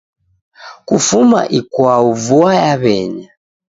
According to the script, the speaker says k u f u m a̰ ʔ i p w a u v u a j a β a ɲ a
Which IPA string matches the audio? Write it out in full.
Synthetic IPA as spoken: k u f u m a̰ ʔ i k w a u v u a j a β ɛ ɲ a